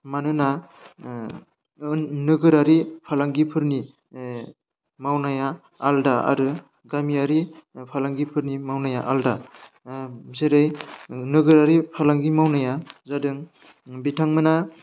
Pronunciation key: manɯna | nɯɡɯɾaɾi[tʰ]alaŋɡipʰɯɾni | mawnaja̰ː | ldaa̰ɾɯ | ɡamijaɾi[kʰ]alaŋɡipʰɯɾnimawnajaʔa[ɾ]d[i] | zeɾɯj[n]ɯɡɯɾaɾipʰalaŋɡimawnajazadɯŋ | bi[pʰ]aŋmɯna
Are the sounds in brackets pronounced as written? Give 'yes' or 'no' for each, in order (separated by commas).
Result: no, no, no, no, yes, no